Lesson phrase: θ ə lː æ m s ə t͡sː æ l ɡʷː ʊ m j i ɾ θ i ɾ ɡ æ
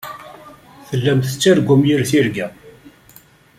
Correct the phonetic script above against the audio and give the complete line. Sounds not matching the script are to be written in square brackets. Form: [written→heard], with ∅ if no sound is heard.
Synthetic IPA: θ ə lː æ m [s→θ] ə t͡sː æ [l→ɾ] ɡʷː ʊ m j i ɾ θ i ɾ ɡ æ